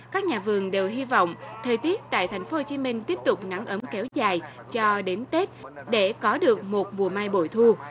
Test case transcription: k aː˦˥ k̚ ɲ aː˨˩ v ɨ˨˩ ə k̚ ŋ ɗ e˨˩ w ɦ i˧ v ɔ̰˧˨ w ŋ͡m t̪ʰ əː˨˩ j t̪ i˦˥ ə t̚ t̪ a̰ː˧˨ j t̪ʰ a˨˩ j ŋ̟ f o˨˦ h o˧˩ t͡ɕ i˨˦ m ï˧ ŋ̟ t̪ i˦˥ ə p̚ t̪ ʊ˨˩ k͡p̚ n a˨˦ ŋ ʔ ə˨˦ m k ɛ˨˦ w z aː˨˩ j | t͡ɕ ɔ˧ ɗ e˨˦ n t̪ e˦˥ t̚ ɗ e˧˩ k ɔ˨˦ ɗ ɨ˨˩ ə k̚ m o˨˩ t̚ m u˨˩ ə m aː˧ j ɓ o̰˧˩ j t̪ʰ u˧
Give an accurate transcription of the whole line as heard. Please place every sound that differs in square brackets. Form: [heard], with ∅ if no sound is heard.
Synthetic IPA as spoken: k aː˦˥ k̚ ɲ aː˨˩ v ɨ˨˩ ə [∅] ŋ ɗ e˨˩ w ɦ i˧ v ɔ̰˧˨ w ŋ͡m t̪ʰ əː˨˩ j t̪ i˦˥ ə t̚ t̪ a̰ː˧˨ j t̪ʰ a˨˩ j ŋ̟ f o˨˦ h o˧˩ t͡ɕ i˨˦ m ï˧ ŋ̟ t̪ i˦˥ ə p̚ t̪ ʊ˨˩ k͡p̚ n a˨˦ ŋ ʔ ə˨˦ m k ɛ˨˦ w z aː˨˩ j | t͡ɕ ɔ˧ ɗ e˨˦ n t̪ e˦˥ t̚ ɗ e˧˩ k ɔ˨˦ ɗ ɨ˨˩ ə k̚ m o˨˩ t̚ m u˨˩ ə m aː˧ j ɓ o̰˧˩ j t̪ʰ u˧